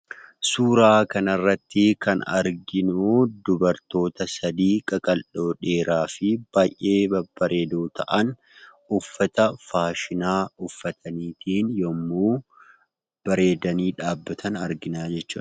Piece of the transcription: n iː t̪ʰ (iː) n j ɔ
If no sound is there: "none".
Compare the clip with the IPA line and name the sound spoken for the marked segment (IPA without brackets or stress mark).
iː